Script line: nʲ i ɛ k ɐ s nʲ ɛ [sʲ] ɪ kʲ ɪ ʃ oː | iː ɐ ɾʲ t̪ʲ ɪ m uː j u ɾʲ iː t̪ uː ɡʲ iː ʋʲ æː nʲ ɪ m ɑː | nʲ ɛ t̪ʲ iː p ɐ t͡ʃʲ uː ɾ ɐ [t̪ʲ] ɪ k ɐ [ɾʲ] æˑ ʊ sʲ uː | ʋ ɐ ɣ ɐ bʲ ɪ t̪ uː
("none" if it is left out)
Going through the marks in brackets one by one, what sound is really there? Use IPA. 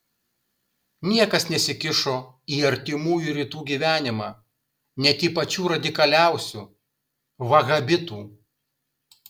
sʲ, d̪ʲ, lʲ

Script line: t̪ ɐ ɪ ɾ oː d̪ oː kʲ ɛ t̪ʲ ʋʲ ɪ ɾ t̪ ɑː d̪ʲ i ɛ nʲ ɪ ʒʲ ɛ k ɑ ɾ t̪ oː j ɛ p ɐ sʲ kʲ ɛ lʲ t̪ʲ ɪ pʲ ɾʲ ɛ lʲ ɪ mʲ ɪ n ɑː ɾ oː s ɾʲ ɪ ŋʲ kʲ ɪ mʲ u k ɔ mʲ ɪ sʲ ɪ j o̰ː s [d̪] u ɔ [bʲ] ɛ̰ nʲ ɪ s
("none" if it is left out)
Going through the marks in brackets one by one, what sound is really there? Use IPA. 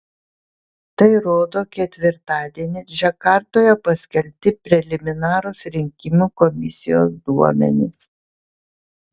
d̪, mʲ

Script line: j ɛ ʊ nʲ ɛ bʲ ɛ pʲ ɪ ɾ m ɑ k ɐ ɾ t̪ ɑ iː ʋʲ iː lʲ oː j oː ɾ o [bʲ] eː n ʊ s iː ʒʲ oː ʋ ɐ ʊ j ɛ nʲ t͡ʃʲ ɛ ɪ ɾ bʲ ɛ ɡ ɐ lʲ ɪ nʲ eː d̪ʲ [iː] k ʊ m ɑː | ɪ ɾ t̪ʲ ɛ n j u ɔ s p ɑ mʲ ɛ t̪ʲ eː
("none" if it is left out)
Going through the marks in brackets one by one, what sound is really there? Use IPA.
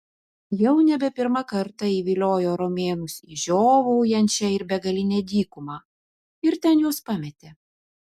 mʲ, iː

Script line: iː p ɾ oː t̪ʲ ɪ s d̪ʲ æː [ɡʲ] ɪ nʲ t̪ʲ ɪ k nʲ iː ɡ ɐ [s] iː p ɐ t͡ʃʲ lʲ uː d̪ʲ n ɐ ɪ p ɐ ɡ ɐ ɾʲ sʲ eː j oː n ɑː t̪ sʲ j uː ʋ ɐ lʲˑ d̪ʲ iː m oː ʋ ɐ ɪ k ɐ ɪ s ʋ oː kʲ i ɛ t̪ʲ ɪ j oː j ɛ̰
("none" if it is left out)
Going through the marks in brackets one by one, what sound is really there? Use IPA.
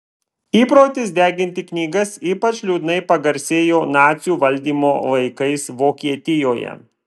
ɡʲ, s

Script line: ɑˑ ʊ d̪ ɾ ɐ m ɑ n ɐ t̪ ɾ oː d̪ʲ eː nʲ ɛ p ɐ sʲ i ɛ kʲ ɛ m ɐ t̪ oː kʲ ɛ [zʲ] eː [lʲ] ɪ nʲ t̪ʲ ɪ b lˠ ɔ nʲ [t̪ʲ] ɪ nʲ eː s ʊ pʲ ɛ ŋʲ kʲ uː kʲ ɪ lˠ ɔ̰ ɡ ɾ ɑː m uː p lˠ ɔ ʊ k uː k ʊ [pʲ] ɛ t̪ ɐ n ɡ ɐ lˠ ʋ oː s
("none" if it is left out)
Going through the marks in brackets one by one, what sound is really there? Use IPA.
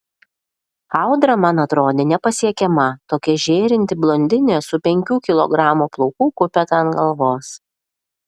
ʒʲ, ɾʲ, d̪ʲ, pʲ

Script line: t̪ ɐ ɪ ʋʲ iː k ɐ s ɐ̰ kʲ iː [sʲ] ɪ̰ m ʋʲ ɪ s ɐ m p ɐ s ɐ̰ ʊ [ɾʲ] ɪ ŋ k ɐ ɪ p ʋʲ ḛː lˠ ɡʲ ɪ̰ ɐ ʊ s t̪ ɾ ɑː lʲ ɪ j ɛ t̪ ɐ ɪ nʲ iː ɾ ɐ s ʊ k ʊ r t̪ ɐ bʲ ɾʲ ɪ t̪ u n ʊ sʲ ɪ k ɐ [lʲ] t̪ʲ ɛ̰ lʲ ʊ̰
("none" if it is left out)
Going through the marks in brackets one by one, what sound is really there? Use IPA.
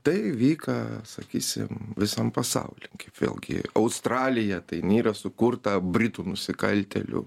sʲ, lʲ, lʲ

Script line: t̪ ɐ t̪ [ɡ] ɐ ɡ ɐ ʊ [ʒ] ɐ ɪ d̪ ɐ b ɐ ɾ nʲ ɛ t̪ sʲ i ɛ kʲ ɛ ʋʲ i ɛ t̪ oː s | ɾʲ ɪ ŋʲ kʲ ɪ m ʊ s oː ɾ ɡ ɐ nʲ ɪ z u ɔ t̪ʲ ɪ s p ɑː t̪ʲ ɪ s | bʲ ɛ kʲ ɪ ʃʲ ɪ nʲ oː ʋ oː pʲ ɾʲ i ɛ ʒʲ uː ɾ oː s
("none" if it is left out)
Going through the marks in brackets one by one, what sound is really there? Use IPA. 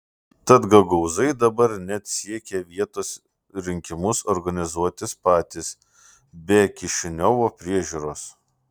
ɡ, z

